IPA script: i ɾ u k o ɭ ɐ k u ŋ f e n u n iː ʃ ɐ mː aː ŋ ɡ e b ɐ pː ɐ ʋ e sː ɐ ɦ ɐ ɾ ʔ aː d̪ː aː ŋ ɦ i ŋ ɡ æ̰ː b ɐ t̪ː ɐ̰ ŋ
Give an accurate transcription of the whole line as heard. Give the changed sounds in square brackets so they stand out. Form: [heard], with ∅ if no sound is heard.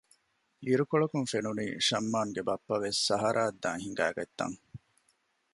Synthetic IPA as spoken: i ɾ u k o ɭ ɐ k u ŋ f e n u n iː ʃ ɐ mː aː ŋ ɡ e b ɐ pː ɐ ʋ e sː ɐ ɦ ɐ ɾ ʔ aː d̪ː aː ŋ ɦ i ŋ ɡ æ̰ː [ɡ] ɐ t̪ː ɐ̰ ŋ

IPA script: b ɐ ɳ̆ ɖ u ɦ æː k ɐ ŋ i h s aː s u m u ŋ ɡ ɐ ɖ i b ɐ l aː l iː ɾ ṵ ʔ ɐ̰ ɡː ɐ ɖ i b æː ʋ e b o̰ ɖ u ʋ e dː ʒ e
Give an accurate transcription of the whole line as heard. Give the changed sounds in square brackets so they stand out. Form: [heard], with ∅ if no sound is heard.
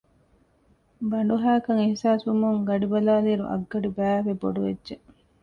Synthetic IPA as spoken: b ɐ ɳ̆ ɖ u ɦ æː k ɐ ŋ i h s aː s u m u ŋ ɡ ɐ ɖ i b ɐ l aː l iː ɾ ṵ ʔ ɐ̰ ɡː ɐ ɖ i b æː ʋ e b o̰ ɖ u ʋ e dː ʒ e

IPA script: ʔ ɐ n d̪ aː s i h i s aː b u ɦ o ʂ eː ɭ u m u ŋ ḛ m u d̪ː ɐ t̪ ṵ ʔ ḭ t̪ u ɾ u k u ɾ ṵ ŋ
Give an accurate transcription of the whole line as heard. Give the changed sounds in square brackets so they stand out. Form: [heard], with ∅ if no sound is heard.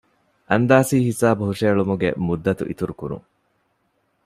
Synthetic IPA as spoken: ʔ ɐ n d̪ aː s [iː] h i s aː b u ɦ [u] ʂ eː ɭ u m u [ɡ] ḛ m u d̪ː ɐ t̪ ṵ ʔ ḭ t̪ u ɾ u k u ɾ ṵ ŋ

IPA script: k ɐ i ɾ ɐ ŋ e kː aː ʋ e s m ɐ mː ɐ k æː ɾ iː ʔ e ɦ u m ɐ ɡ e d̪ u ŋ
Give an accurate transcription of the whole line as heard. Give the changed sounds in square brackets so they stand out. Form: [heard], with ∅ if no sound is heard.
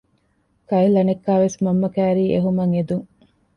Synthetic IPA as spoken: k ɐ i [l] ɐ [n] e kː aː ʋ e s m ɐ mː ɐ k æː ɾ iː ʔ e ɦ u m ɐ [ŋ] e d̪ u ŋ

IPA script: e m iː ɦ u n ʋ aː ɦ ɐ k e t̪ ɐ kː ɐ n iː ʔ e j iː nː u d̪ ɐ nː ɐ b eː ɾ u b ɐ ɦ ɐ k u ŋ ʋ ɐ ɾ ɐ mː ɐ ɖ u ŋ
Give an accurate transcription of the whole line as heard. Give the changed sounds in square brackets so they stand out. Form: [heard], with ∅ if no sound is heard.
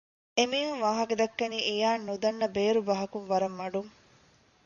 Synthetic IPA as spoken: e m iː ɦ u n ʋ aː ɦ ɐ k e [d̪] ɐ kː ɐ n iː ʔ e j [aː] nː u d̪ ɐ nː ɐ b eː ɾ u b ɐ ɦ ɐ k u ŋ ʋ ɐ ɾ ɐ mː ɐ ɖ u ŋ

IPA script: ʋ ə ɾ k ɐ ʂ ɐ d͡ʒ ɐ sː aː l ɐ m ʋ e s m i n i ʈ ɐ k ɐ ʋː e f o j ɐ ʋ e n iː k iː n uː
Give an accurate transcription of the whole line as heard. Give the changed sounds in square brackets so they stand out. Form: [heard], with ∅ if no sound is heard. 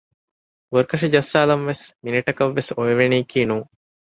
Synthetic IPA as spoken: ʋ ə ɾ k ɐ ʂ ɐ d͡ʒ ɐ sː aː l ɐ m ʋ e s m i n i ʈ ɐ k ɐ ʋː e [s] o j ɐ ʋ e n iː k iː n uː

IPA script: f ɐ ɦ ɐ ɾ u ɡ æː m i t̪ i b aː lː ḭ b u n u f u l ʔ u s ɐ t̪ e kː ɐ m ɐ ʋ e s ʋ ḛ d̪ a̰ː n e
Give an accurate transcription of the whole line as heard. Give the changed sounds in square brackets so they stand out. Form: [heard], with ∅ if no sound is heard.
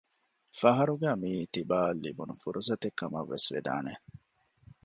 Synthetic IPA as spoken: f ɐ ɦ ɐ ɾ u ɡ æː m [iː] t̪ i b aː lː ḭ b u n u f u [ɾ] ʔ u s ɐ t̪ e kː ɐ m ɐ [ʋː] e s ʋ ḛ d̪ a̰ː n e

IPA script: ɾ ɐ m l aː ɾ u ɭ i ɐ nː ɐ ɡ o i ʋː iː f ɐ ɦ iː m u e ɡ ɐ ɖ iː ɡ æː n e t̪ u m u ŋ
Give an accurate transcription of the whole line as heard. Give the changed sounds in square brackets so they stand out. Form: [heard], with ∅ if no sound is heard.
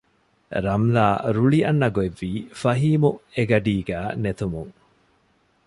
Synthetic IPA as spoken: ɾ ɐ m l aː ɾ u ɭ i ɐ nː ɐ ɡ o [e] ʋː iː f ɐ ɦ iː m u e ɡ ɐ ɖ iː ɡ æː n e t̪ u m u ŋ

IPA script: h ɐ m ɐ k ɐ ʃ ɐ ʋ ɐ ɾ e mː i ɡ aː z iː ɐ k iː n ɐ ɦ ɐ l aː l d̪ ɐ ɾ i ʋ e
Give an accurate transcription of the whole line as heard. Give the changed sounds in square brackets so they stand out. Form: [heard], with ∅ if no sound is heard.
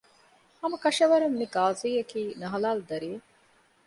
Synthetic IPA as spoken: h ɐ m ɐ k ɐ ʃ ɐ ʋ ɐ ɾ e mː i ɡ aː z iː ɐ k iː n ɐ ɦ ɐ l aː l d̪ ɐ ɾ i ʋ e

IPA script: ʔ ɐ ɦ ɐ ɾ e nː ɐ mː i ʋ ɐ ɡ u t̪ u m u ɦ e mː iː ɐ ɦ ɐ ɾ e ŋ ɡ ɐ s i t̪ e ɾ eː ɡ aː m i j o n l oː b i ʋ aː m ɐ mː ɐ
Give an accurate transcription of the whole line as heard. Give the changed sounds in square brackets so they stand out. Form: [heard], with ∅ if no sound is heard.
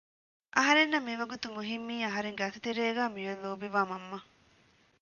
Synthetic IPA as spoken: ʔ ɐ ɦ ɐ ɾ e nː ɐ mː i ʋ ɐ ɡ u t̪ u m u ɦ [i] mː iː ɐ ɦ ɐ ɾ e ŋ ɡ ɐ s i t̪ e ɾ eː ɡ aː m i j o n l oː b i ʋ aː m ɐ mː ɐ

